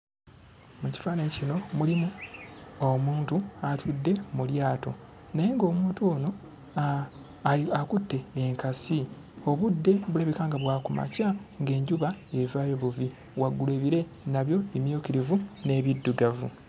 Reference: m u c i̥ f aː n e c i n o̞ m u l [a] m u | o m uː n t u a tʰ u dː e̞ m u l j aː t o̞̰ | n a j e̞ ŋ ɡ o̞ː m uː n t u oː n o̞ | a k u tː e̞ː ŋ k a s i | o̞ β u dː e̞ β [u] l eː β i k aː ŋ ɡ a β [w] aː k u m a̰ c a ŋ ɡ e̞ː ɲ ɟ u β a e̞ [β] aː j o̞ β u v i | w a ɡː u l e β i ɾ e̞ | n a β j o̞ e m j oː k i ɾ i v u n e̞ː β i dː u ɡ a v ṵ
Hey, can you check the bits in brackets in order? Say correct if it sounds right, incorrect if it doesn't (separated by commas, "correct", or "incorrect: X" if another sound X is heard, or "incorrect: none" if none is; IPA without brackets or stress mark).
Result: incorrect: i, correct, correct, incorrect: v